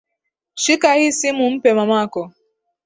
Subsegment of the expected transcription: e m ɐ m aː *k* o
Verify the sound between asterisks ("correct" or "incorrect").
correct